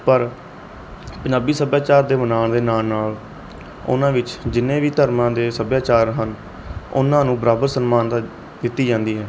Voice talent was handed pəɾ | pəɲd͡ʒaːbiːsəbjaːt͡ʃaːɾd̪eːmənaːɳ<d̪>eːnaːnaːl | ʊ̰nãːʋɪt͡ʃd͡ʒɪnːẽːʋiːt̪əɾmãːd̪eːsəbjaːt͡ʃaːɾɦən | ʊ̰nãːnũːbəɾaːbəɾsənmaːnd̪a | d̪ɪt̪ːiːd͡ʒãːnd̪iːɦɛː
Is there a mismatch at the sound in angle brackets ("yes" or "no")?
no